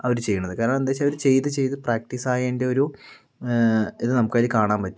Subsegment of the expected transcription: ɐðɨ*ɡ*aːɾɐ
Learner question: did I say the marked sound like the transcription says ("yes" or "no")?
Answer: no